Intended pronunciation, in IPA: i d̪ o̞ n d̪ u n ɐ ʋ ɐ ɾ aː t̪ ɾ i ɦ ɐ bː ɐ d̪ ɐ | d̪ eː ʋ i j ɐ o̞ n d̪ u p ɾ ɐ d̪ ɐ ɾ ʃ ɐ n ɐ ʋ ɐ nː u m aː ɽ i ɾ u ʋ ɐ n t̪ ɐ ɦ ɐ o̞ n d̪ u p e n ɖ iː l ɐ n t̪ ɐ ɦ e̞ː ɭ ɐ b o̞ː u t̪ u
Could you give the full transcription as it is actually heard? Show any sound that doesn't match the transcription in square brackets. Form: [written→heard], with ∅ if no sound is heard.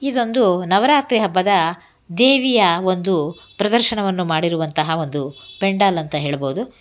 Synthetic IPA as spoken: i d̪ o̞ n d̪ u n ɐ ʋ ɐ ɾ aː t̪ ɾ i ɦ ɐ bː ɐ d̪ ɐ | d̪ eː ʋ i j ɐ o̞ n d̪ u p ɾ ɐ d̪ ɐ ɾ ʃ ɐ [n→ɳ] ɐ ʋ ɐ nː u m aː ɽ i ɾ u ʋ ɐ n t̪ ɐ ɦ ɐ o̞ n d̪ u p e [n→ɳ] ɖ [iː→aː] l ɐ n t̪ ɐ ɦ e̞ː ɭ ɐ b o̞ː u [t̪→d̪] u